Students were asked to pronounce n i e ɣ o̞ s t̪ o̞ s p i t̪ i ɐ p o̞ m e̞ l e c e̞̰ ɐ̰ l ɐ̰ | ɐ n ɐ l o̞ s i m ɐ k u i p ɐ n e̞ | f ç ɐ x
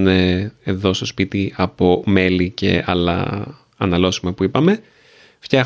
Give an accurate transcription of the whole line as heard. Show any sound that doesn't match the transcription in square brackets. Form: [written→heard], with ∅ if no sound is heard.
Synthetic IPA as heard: n [i→e] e [ɣ→ð] o̞ s t̪ o̞ s p i t̪ i ɐ p o̞ m e̞ l [e→i] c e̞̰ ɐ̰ l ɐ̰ | ɐ n ɐ l o̞ s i m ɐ [k→p] u i p ɐ [n→m] e̞ | f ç ɐ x